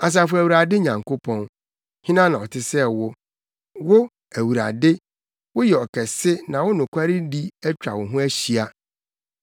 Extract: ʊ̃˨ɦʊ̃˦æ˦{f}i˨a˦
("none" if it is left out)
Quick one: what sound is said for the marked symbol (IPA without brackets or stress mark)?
ɕ